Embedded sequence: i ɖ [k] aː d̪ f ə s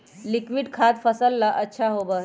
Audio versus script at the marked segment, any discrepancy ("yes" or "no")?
yes